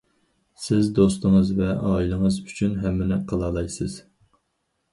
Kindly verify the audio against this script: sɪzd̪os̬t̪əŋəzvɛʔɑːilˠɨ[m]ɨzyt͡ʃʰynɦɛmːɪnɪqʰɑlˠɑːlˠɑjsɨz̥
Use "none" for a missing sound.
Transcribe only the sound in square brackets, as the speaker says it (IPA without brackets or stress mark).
ŋ